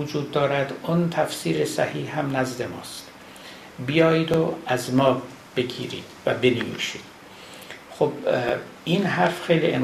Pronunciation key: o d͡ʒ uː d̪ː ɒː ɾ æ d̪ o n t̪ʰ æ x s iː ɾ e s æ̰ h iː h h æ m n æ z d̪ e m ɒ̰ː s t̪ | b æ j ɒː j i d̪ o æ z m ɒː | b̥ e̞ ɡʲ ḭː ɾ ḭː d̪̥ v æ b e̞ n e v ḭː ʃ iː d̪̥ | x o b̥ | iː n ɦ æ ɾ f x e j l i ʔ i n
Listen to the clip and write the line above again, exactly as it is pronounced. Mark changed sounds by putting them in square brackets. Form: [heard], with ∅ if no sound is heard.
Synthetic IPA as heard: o d͡ʒ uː d̪ː ɒː ɾ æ d̪ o n t̪ʰ æ [f] s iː ɾ e s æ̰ h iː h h æ m n æ z d̪ e m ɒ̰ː s t̪ | b [i] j ɒː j i d̪ o æ z m ɒː | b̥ e̞ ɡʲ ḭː ɾ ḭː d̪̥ v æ b e̞ n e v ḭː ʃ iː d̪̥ | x o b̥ | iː n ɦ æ ɾ f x e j l i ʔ [e] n